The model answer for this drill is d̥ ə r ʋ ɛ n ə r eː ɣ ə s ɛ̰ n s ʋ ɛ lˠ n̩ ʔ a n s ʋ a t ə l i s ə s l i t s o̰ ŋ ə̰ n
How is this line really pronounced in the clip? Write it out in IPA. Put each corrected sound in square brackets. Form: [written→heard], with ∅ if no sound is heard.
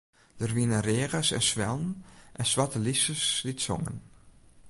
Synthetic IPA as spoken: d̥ ə r ʋ [ɛ→i] n ə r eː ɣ ə s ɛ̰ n s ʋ ɛ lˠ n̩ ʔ [a→ɛ] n s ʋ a t ə l i s ə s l i t s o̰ ŋ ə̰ n